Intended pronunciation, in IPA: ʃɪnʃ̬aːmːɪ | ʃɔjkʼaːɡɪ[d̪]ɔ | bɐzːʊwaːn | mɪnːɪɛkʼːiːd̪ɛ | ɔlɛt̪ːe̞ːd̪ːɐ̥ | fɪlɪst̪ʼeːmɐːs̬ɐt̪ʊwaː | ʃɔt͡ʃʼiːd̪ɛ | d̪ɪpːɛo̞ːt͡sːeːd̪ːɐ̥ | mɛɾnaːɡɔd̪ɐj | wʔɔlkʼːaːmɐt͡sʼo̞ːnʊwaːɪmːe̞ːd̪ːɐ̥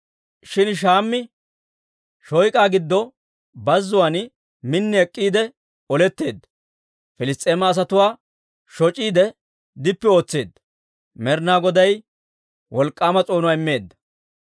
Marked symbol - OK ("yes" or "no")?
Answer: no